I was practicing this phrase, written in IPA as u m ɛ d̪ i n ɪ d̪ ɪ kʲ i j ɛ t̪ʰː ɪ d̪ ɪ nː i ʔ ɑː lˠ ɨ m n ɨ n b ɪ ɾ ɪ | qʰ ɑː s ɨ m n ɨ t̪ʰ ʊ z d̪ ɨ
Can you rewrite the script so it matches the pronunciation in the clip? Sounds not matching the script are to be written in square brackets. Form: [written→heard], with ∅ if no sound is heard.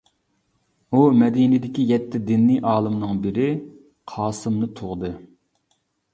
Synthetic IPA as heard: u m ɛ d̪ i n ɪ d̪ ɪ kʲ i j ɛ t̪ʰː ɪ d̪ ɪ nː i ʔ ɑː lˠ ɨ m n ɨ [n→ŋ] b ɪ ɾ ɪ | qʰ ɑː s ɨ m n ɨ t̪ʰ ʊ [z→ʁ] d̪ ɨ

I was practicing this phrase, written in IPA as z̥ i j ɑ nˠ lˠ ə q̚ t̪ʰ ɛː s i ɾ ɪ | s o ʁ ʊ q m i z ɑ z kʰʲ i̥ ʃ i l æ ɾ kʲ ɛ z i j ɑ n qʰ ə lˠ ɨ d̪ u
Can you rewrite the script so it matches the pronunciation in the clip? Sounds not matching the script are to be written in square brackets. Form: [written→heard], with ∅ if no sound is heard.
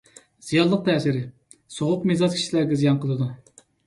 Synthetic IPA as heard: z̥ i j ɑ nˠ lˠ ə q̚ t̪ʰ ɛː s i ɾ ɪ | s o ʁ ʊ q m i z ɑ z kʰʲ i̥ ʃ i l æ ɾ [kʲ→ɡʲ] ɛ z i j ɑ n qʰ ə lˠ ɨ d̪ u

